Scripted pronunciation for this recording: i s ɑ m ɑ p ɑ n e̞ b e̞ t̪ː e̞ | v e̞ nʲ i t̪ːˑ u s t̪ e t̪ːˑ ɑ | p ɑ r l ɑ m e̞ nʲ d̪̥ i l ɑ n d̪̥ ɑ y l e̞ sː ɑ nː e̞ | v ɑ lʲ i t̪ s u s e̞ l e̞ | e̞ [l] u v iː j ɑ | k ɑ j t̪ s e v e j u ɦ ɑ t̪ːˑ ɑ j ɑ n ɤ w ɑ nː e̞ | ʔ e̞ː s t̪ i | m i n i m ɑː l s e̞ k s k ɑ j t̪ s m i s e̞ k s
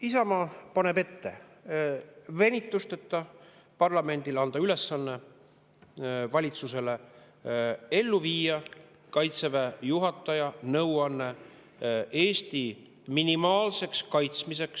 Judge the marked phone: incorrect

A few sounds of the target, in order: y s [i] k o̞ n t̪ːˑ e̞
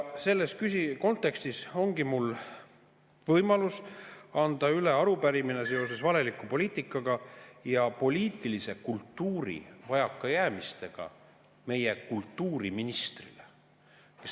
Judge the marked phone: correct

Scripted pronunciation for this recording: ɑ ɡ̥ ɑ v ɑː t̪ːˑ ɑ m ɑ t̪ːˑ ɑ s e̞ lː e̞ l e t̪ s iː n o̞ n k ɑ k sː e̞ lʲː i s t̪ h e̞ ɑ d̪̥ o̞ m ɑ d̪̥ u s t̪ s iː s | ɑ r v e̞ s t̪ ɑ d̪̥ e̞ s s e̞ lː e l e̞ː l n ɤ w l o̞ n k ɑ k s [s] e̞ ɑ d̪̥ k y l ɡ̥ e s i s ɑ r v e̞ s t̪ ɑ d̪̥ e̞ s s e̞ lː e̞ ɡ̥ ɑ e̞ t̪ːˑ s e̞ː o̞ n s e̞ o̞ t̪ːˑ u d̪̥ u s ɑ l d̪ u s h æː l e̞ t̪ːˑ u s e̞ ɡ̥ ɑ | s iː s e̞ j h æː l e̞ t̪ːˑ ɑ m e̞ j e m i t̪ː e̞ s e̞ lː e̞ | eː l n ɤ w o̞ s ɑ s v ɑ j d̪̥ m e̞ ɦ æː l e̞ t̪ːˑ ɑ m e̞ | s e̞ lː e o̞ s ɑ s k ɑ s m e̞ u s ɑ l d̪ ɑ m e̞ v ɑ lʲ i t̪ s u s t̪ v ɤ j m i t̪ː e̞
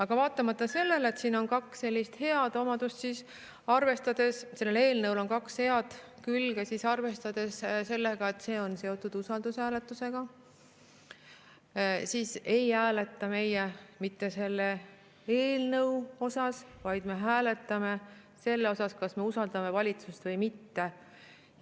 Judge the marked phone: incorrect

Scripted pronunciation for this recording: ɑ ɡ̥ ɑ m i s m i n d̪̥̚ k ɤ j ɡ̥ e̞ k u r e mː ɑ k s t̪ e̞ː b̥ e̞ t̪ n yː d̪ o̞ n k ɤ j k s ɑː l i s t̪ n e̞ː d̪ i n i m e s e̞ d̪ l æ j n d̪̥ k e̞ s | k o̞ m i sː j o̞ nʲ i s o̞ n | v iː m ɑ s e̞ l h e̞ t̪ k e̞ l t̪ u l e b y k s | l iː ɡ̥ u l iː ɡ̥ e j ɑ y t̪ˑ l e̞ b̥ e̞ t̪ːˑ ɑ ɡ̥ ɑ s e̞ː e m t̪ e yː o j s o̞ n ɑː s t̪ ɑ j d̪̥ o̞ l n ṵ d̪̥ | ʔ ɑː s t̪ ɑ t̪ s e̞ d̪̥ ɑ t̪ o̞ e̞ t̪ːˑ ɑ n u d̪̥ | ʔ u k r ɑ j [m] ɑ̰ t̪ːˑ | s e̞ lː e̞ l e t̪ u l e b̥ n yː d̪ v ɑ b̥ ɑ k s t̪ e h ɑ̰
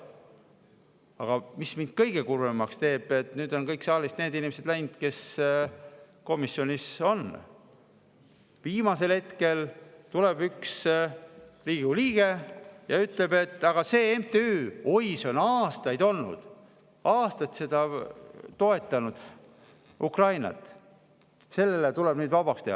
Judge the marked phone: incorrect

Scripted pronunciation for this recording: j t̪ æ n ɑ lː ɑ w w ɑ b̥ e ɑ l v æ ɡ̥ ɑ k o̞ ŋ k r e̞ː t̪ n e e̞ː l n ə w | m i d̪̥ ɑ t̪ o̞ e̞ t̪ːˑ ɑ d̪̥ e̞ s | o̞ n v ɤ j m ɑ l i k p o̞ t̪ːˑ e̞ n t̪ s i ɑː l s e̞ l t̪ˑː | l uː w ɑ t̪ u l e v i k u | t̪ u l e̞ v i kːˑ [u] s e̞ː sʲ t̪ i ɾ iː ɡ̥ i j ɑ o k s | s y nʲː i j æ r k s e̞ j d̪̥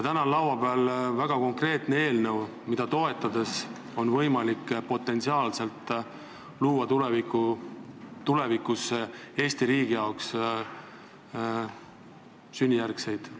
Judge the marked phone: correct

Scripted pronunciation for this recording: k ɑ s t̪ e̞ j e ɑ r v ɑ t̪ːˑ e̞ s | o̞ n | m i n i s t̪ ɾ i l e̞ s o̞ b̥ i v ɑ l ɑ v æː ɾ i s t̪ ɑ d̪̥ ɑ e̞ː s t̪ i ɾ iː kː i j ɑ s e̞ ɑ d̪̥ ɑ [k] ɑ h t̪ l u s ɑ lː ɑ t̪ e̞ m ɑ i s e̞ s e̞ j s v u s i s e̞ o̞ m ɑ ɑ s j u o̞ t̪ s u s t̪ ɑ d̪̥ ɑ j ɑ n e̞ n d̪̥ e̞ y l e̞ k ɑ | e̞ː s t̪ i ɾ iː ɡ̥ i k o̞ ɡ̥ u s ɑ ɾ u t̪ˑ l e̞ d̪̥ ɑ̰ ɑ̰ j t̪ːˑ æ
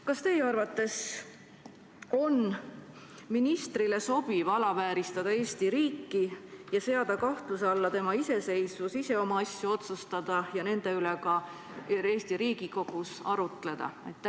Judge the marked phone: correct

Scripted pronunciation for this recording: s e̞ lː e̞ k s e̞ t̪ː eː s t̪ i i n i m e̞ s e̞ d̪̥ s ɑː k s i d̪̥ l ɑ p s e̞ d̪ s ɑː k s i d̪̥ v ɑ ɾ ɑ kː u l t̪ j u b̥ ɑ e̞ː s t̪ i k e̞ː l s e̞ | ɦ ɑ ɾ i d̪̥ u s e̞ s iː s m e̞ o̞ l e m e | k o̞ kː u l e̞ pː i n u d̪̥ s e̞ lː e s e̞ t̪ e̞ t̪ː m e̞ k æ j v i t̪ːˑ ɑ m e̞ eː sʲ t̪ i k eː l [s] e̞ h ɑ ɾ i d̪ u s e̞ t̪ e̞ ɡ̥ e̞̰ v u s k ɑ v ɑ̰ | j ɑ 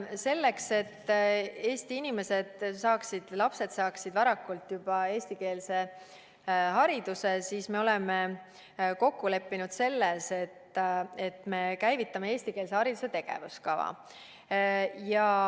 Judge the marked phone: correct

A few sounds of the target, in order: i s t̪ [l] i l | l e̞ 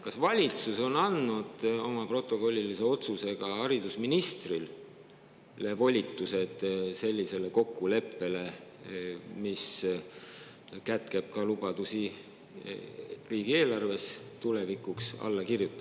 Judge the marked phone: incorrect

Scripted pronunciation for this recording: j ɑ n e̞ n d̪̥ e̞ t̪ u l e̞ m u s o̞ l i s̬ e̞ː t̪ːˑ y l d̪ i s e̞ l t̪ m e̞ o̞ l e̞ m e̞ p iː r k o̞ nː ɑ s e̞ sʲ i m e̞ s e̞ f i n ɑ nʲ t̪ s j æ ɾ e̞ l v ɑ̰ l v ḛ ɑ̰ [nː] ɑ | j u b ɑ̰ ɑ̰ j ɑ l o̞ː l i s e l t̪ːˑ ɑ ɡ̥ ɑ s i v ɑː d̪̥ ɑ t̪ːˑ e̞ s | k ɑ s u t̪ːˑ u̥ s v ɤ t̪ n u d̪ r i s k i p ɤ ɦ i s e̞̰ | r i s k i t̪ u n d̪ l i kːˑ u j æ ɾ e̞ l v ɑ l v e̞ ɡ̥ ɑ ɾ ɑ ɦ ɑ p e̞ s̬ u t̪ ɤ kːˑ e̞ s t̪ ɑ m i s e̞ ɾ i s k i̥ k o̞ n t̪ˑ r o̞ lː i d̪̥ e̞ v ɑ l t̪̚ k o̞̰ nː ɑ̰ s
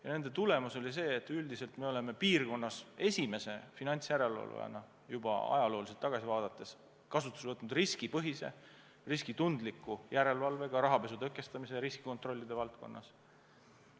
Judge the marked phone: incorrect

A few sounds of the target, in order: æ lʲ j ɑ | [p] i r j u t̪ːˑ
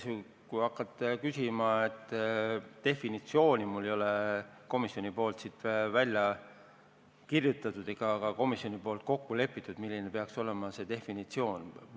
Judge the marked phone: incorrect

